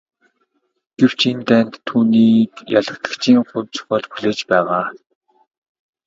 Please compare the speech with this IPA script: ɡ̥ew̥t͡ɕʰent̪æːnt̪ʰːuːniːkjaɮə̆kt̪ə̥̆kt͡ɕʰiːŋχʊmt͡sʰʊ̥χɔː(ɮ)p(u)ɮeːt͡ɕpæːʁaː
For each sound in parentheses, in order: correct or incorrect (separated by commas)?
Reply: correct, correct